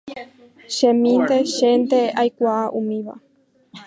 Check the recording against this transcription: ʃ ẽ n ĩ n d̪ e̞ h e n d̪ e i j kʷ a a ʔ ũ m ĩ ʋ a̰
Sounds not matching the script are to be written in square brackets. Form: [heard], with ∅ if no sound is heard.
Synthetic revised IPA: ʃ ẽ [m] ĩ n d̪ e̞ [ʃ] e n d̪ e [a] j kʷ a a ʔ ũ m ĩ ʋ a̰